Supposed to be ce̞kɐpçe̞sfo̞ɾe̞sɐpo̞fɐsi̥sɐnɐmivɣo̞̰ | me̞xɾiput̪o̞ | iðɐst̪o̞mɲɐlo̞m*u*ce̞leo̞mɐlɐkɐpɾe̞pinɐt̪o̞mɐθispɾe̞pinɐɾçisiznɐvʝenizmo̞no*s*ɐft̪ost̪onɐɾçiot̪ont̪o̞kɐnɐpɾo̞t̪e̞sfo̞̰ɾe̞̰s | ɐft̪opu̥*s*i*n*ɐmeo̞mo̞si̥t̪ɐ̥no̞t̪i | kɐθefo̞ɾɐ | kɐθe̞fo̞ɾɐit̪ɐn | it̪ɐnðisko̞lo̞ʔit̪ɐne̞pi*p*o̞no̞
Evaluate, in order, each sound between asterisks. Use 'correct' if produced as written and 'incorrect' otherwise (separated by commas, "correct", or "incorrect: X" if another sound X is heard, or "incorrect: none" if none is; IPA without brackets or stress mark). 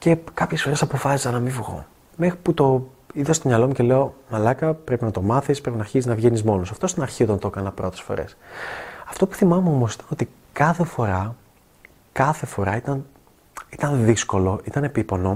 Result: correct, correct, incorrect: θ, incorrect: m, correct